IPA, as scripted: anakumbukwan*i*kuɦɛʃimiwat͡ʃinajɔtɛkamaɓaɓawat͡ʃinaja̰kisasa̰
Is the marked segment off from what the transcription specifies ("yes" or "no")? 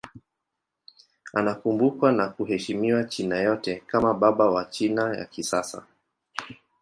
yes